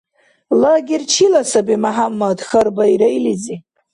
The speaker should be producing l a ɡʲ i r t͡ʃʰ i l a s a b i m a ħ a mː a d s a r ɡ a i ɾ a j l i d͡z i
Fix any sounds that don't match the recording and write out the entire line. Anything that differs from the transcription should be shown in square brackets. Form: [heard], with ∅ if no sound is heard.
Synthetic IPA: l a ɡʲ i r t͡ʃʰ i l a s a b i m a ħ a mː a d [x] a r [b] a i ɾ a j l i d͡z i